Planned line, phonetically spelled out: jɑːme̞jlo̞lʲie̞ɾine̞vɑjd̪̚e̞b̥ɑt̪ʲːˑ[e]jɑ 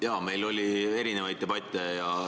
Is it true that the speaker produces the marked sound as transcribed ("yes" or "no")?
yes